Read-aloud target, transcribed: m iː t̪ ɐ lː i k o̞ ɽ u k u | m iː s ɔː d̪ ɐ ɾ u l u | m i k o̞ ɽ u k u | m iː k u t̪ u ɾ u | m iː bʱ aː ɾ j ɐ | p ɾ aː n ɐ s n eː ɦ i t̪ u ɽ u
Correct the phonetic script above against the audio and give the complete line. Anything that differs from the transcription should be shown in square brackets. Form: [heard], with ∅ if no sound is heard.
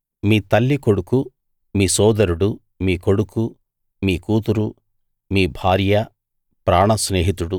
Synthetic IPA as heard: m iː t̪ ɐ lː i k o̞ ɽ u k u | m iː s ɔː d̪ ɐ ɾ u [ɽ] u | m [iː] k o̞ ɽ u k u | m iː k [uː] t̪ u ɾ u | m iː bʱ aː ɾ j ɐ | p ɾ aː [ɳ] ɐ s n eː ɦ i t̪ u ɽ u